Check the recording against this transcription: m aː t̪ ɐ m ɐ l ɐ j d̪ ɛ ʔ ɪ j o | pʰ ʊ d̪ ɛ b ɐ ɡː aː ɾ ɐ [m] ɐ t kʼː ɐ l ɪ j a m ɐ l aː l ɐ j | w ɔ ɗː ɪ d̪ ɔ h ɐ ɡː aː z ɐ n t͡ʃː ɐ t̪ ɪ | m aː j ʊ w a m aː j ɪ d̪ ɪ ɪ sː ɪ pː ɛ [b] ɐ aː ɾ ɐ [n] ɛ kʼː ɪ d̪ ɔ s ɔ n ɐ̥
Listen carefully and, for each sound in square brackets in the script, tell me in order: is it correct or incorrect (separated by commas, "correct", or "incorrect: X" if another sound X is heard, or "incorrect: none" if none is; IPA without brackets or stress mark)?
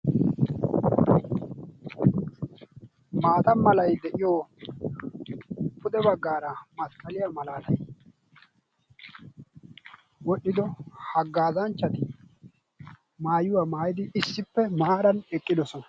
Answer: correct, incorrect: m, correct